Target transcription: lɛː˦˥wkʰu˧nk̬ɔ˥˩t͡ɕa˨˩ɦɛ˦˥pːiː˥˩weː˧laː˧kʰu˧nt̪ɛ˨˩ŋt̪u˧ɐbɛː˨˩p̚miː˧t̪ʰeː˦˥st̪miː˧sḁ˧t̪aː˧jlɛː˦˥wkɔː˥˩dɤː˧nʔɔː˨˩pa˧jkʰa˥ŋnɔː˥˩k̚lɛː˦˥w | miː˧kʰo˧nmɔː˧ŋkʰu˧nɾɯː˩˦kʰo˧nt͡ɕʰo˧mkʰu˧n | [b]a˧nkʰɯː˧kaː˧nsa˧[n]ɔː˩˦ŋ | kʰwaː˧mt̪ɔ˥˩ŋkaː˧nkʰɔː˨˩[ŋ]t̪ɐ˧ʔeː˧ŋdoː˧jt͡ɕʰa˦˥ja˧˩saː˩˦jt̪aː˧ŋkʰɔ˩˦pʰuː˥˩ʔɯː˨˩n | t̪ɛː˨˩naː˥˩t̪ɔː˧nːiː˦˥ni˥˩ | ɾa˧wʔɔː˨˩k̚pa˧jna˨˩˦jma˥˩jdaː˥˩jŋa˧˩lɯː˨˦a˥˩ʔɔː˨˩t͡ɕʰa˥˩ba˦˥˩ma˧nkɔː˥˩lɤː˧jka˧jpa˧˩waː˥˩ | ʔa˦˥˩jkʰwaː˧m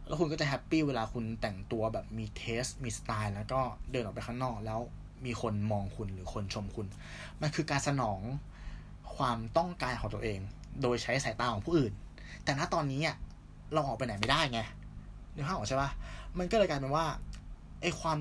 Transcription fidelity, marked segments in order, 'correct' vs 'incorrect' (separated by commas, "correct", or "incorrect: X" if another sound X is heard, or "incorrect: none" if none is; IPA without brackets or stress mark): incorrect: m, correct, correct